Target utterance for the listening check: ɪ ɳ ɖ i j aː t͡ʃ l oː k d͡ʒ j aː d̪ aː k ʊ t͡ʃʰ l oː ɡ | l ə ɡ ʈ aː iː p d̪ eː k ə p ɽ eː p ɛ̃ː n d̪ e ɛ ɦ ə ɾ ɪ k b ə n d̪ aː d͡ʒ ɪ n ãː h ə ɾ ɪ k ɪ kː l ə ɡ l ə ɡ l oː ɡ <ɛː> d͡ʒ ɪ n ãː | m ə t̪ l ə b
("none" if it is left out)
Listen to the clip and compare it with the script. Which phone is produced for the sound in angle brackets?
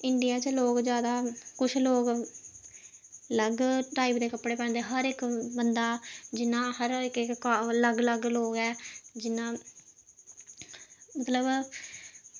ɛː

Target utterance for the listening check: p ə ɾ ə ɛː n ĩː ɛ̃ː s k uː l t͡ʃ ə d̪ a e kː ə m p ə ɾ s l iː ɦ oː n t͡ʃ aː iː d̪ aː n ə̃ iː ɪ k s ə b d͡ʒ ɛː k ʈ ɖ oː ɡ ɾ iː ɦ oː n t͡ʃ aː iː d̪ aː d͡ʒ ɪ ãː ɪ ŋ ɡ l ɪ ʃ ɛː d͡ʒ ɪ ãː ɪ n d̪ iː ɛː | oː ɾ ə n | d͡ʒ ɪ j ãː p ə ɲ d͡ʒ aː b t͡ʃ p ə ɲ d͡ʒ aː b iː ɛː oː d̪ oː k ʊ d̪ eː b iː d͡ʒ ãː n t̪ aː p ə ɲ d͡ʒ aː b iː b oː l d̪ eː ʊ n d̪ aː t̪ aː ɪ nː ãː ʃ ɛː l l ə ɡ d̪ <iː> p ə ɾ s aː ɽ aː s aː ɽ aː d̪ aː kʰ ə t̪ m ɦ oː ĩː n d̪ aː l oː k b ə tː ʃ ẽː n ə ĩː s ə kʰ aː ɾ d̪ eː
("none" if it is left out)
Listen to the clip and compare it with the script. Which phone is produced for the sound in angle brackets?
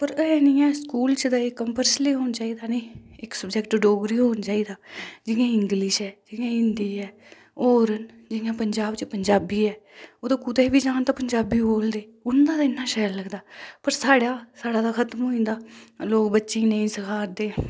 aː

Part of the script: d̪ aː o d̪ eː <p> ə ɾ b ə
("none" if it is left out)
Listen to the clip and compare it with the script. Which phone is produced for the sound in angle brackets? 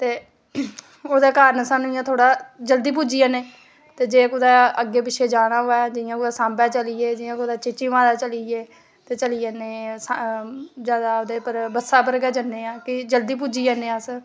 p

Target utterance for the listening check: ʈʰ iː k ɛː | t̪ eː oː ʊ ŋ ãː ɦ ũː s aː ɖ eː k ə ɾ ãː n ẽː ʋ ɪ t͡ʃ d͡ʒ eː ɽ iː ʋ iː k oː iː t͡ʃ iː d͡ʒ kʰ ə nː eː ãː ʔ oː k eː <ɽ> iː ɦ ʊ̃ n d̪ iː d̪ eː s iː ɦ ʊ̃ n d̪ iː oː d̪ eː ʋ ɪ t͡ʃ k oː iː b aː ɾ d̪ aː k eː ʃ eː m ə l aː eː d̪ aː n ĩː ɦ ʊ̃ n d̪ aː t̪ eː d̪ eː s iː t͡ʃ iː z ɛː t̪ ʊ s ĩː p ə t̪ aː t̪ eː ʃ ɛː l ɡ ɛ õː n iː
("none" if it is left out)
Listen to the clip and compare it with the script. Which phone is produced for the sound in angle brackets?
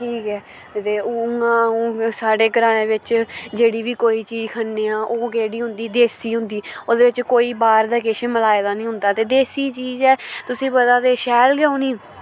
ɽ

